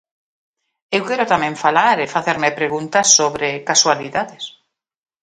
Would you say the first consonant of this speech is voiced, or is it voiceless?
voiced